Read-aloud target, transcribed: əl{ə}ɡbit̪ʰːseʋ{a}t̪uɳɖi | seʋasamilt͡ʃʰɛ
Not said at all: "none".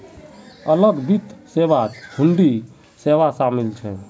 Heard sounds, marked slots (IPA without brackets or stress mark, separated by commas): ə, a